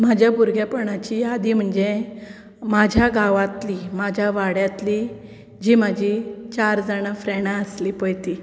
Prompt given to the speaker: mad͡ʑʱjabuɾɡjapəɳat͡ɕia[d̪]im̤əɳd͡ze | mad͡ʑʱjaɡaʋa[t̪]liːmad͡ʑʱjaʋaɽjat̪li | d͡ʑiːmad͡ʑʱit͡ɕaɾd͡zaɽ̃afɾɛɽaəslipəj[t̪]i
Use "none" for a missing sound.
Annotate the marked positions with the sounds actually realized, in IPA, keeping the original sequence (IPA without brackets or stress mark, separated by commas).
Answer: d̪, t̪, t̪